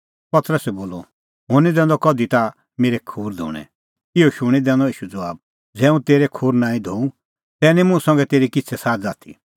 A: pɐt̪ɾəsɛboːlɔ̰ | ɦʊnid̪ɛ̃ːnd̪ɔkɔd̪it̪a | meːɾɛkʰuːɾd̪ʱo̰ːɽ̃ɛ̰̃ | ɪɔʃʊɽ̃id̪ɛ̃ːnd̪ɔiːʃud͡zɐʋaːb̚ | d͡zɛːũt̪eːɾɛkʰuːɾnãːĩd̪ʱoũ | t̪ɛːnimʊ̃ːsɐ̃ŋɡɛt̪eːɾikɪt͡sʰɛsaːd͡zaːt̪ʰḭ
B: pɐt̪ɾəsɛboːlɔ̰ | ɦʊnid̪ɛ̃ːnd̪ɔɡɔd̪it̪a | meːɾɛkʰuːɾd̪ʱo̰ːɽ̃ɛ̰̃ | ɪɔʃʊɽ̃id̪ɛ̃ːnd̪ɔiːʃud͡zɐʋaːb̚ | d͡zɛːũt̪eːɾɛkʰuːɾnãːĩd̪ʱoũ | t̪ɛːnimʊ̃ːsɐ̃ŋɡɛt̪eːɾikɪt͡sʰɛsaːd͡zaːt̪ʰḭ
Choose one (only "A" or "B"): A